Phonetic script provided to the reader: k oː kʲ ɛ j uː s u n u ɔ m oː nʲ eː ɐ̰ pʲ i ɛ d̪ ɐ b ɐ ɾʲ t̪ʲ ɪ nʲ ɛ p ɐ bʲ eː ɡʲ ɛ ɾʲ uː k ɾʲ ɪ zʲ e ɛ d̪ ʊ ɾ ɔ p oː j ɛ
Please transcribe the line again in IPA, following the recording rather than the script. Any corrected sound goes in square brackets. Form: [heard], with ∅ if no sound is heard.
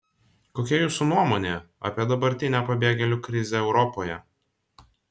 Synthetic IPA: k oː kʲ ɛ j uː s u n u ɔ m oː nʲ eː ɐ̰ pʲ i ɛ d̪ ɐ b ɐ ɾʲ t̪ʲ ɪ nʲ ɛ p ɐ bʲ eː ɡʲ ɛ [lʲ] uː k ɾʲ ɪ zʲ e ɛ [∅] ʊ ɾ ɔ p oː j ɛ